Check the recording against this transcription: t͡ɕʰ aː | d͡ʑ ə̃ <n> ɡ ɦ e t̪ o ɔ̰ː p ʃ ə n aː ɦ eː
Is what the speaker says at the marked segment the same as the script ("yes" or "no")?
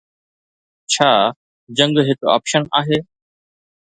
no